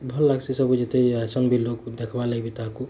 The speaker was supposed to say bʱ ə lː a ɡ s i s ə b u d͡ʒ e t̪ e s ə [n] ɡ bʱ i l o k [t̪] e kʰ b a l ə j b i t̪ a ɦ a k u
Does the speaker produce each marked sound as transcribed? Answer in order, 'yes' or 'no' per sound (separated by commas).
no, no